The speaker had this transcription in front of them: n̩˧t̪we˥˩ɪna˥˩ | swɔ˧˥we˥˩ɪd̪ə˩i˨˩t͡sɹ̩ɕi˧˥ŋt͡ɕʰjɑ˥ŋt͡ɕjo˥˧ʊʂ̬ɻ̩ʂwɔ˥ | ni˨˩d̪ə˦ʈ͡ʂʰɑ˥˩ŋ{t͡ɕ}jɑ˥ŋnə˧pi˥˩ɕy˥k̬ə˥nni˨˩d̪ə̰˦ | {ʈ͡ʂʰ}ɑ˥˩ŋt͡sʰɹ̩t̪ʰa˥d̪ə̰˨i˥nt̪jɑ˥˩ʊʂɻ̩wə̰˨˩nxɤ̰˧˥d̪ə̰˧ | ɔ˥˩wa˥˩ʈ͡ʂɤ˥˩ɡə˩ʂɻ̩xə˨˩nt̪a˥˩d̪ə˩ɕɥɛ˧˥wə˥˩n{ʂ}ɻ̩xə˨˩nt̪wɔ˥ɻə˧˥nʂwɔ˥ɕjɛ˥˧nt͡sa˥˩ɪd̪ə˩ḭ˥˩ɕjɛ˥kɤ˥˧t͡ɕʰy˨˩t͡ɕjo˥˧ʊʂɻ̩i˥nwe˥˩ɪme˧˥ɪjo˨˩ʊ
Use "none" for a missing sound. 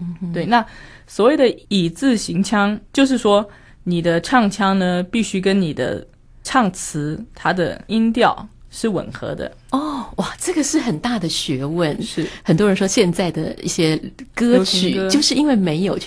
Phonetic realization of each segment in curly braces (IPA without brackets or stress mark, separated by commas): t͡ɕʰ, ʈ͡ʂʰ, ʂ